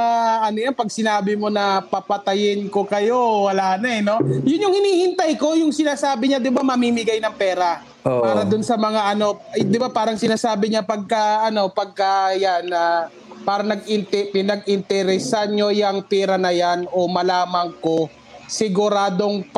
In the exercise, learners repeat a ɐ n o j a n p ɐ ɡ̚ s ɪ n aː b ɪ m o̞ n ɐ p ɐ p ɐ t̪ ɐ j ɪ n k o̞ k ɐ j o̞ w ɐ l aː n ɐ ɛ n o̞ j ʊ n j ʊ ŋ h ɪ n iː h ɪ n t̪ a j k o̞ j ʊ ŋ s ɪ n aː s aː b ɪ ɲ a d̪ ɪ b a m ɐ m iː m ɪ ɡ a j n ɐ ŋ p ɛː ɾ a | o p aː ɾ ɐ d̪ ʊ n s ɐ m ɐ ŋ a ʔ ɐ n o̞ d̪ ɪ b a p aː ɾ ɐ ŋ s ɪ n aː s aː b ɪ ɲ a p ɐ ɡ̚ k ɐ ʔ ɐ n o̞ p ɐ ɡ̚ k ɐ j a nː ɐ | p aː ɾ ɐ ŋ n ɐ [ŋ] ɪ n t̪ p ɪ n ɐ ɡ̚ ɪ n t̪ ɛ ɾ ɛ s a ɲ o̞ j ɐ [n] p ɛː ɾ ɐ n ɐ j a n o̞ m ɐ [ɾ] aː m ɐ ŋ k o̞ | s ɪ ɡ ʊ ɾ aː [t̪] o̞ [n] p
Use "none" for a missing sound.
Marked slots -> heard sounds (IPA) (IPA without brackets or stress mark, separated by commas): ɡ, ŋ, l, d̪, ŋ